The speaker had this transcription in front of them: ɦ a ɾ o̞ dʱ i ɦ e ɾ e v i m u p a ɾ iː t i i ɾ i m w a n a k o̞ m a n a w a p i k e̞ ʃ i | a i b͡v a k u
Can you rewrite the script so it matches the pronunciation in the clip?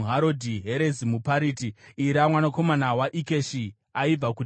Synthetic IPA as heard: ɦ a ɾ o̞ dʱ i ɦ e ɾ e z i m u p a ɾ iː t i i ɾ a m w a n a k o̞ m a n a w a ʔ i k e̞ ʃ i | a i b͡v a k u